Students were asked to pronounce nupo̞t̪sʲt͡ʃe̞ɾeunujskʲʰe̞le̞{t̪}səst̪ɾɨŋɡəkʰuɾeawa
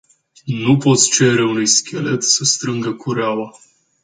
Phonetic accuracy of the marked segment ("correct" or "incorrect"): correct